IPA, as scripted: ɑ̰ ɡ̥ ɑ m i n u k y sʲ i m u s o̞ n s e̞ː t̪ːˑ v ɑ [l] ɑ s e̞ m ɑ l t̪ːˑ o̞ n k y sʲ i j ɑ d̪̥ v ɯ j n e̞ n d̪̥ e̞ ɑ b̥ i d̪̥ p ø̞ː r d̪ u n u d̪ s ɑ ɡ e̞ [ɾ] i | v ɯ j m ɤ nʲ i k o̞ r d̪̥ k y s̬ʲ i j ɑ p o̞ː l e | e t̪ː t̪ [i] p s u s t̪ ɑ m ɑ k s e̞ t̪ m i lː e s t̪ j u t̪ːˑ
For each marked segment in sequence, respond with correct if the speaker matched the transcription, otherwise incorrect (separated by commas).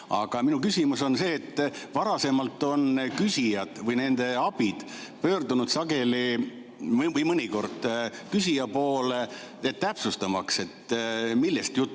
incorrect, incorrect, incorrect